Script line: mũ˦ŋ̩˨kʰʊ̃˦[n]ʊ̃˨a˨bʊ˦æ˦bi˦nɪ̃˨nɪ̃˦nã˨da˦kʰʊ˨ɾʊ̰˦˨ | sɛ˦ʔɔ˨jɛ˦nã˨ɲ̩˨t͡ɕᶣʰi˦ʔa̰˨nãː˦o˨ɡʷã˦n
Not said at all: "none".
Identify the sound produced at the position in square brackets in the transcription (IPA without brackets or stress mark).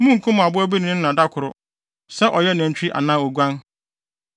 m